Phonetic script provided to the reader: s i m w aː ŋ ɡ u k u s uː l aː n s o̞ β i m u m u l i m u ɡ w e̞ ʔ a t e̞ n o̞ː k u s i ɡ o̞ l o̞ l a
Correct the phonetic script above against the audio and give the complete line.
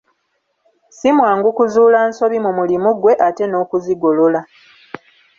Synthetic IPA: s i m w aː ŋ ɡ u k u z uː l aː n s o̞ β i m u m u l i m u ɡ w e̞ ʔ a t e̞ n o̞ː k u z i ɡ o̞ l o̞ l a